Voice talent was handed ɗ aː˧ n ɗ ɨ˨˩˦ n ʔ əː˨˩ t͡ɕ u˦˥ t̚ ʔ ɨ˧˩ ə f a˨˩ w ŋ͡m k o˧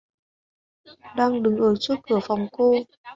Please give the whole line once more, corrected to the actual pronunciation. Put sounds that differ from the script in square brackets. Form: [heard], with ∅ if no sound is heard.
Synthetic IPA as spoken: ɗ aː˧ [ŋ] ɗ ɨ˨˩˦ [ŋ] ʔ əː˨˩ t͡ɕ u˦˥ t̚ [k] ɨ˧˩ ə f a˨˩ w ŋ͡m k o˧